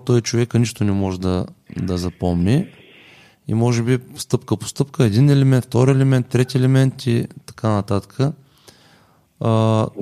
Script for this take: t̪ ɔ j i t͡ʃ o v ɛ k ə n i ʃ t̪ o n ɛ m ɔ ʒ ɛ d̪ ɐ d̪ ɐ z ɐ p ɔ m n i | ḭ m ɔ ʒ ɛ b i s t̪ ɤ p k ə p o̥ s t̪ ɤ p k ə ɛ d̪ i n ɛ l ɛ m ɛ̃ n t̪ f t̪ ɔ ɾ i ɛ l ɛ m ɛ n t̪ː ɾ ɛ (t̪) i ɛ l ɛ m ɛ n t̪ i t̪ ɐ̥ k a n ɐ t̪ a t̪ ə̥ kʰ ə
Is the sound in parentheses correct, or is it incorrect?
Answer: correct